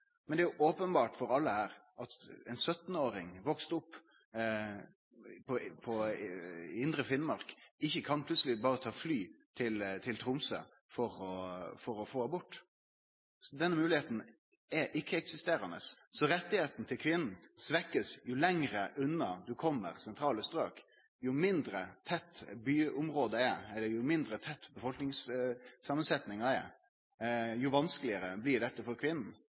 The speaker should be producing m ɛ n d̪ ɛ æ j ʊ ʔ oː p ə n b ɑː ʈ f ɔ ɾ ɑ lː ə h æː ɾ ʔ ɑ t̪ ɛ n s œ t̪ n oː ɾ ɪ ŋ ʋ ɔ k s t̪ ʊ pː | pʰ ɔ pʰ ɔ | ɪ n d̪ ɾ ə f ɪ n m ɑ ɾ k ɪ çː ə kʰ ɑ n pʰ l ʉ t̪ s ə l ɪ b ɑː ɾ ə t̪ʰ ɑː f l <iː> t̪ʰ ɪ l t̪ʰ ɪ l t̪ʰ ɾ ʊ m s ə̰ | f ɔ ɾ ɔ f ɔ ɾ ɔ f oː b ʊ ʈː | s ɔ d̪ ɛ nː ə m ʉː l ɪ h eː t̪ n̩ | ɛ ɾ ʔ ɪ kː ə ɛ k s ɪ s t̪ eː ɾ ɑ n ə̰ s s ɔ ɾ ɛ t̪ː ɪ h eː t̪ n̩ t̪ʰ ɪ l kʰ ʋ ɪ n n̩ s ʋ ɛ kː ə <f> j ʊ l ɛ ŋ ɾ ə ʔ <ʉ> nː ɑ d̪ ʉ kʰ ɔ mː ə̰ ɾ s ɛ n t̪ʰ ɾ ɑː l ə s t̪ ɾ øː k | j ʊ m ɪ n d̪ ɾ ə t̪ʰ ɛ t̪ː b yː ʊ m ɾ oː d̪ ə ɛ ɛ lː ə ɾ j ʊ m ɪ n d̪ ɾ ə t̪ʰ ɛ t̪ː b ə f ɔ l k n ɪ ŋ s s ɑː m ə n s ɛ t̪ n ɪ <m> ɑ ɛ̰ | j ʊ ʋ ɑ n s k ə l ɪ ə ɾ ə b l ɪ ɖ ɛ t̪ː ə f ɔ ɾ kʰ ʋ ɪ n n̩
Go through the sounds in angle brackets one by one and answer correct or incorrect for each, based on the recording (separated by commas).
incorrect, incorrect, correct, incorrect